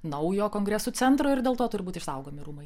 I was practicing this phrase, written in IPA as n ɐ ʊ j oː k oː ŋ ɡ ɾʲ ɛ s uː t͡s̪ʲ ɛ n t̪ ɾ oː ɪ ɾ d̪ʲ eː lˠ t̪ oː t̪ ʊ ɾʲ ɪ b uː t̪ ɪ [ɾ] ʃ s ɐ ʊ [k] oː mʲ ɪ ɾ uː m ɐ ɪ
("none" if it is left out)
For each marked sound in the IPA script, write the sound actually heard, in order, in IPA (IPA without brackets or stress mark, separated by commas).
none, ɡ